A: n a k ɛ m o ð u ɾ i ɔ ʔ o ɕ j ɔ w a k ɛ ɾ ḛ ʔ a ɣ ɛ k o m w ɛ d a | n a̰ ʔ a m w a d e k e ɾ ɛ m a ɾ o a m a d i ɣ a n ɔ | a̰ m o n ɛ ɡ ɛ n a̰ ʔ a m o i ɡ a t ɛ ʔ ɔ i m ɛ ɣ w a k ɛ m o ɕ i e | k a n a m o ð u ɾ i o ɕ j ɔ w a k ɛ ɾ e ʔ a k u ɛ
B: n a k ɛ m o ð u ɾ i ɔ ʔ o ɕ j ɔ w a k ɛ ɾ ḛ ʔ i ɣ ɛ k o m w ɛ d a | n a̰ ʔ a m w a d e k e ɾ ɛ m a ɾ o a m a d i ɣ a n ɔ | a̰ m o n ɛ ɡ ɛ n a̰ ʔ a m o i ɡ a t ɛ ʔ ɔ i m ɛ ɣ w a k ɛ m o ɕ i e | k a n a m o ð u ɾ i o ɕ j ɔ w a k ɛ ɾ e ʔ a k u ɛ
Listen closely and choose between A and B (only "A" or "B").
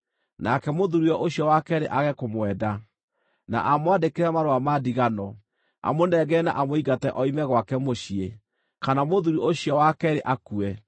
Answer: A